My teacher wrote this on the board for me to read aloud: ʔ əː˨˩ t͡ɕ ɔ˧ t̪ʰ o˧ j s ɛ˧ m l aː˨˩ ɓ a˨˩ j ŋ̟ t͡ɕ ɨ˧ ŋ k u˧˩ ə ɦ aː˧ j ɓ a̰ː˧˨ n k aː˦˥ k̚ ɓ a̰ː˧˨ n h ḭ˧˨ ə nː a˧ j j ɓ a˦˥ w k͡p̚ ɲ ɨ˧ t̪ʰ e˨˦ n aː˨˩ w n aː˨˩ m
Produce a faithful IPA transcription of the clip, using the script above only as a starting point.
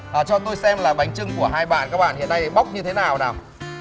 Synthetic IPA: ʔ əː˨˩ t͡ɕ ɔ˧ t̪ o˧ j s ɛ˧ m l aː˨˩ ɓ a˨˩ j ŋ̟ t͡ɕ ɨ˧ ŋ k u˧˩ ə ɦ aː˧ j ɓ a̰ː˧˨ n k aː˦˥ k̚ ɓ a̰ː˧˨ n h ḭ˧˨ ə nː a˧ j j ɓ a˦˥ w k͡p̚ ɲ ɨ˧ t̪ʰ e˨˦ n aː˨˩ w n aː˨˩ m